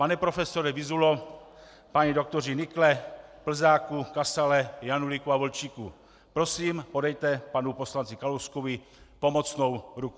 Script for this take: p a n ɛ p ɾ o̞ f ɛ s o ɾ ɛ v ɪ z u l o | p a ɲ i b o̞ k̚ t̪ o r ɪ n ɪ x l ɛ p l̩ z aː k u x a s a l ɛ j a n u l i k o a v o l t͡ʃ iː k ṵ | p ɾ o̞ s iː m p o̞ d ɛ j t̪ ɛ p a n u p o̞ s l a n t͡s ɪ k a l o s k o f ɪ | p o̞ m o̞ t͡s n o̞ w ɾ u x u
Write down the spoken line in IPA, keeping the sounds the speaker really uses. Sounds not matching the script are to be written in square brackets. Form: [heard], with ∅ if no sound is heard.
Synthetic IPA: p a n ɛ p ɾ o̞ f ɛ s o ɾ ɛ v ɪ z u l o | p a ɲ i [d] o̞ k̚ t̪ o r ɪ n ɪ [k] l ɛ p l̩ z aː k u [k] a s a l ɛ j a n u l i k [u] a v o l t͡ʃ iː k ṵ | p ɾ o̞ s iː m p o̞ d ɛ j t̪ ɛ p a n u p o̞ s l a n t͡s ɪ k a l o s k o [v] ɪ | p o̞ m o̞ t͡s n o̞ w ɾ u [k] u